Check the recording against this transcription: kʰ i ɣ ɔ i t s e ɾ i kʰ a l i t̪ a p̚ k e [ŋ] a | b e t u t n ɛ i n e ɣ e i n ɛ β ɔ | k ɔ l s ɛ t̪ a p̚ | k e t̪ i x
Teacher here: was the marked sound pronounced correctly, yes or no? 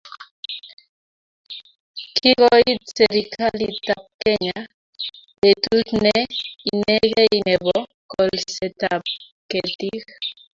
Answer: no